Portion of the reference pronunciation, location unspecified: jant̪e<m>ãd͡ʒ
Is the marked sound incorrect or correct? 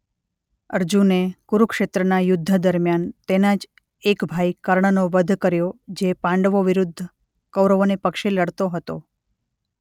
incorrect